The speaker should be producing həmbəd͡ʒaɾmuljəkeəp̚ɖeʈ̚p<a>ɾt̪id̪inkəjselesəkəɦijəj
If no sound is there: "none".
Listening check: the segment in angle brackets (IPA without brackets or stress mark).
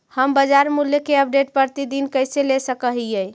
ə